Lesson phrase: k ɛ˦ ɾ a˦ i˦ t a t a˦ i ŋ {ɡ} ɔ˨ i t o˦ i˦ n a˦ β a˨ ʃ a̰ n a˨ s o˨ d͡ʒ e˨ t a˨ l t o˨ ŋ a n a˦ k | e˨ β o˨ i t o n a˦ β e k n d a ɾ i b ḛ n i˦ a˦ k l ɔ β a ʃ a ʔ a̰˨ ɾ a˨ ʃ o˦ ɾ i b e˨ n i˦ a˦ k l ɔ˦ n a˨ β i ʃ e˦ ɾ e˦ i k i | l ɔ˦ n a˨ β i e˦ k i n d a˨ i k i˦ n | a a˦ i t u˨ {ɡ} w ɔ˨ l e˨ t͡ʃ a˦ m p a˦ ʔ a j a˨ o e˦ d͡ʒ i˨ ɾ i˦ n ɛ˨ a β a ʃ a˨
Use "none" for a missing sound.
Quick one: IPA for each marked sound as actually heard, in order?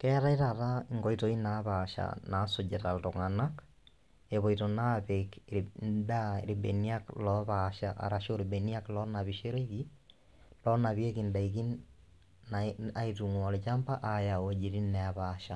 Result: ɡ, ŋ

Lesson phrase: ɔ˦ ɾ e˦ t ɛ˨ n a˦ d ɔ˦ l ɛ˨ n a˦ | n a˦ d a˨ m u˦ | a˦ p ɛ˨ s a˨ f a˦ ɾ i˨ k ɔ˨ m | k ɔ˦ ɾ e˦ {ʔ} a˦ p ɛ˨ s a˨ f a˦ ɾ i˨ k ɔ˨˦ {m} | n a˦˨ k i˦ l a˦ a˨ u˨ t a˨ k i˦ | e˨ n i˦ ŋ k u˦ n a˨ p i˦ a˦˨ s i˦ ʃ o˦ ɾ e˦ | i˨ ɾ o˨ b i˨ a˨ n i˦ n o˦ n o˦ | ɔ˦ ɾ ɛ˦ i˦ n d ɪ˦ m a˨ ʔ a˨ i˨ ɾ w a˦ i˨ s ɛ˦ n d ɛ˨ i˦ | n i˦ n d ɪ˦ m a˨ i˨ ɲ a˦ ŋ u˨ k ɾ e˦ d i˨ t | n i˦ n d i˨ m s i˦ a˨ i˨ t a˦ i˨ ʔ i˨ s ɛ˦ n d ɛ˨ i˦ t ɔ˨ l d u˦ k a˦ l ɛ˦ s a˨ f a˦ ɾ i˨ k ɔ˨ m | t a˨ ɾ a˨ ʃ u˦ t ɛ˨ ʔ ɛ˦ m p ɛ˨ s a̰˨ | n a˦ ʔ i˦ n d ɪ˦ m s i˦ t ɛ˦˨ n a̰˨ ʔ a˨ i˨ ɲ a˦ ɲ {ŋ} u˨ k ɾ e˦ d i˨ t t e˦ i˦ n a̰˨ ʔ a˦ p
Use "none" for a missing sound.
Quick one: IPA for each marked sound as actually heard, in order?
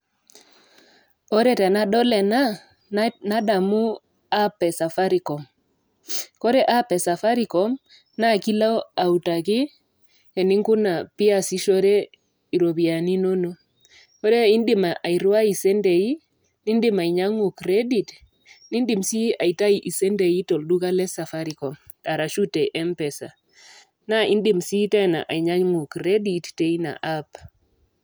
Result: ʔ, m, ŋ

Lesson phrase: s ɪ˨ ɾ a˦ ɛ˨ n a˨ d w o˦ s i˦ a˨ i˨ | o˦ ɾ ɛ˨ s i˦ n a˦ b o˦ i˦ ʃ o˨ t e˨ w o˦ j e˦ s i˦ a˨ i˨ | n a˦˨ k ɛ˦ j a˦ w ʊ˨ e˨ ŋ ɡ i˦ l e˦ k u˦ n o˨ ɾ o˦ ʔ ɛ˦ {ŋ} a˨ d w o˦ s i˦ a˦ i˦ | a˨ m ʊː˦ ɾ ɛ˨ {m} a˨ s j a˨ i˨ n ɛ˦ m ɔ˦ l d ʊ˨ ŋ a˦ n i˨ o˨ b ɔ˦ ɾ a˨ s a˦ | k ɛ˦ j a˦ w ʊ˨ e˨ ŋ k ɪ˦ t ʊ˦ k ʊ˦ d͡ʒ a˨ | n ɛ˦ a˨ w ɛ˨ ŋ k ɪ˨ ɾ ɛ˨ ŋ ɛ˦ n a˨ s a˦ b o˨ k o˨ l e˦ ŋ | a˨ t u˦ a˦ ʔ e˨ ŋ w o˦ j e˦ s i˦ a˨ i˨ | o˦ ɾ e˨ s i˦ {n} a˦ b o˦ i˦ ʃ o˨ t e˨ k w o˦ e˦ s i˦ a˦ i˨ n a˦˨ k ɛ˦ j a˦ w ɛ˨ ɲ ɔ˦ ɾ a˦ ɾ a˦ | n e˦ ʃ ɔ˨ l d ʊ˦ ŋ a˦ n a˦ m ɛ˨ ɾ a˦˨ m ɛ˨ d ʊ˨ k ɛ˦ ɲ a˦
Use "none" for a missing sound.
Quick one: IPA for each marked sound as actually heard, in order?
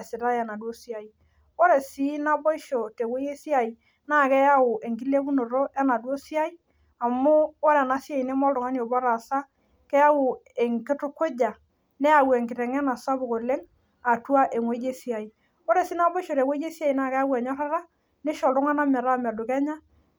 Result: n, n, n

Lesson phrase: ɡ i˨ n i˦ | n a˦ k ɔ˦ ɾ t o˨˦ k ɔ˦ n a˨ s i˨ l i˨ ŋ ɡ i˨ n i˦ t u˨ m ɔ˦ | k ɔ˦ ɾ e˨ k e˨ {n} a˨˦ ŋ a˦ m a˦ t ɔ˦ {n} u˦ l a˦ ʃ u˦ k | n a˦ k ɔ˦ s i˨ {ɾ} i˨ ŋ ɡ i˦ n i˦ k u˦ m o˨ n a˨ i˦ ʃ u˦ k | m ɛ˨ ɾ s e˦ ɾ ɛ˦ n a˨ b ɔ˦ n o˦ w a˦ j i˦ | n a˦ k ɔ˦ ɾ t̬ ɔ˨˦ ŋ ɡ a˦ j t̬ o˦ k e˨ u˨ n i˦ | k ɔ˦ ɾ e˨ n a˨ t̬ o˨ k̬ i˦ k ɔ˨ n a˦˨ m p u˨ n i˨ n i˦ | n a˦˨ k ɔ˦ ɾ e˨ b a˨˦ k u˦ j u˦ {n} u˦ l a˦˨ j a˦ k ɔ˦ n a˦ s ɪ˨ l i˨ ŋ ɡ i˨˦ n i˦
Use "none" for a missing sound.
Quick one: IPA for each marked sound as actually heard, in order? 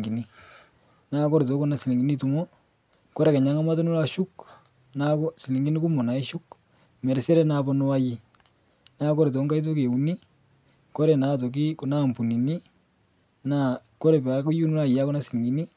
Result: ɲ, n, l, n

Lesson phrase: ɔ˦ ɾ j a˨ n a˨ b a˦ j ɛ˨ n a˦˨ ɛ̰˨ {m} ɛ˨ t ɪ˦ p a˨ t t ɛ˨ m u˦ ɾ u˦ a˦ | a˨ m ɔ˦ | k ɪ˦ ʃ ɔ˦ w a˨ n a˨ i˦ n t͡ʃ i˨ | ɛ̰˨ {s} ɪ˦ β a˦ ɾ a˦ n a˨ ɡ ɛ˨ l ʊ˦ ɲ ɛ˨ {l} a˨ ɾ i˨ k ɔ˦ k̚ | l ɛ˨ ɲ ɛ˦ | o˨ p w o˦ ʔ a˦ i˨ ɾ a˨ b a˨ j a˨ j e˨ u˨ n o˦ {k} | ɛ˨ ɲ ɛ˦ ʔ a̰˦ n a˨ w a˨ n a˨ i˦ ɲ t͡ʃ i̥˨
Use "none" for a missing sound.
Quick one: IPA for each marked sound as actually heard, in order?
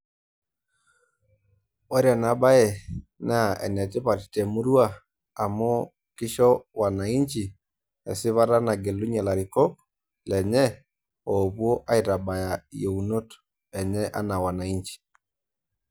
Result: n, s, l, t

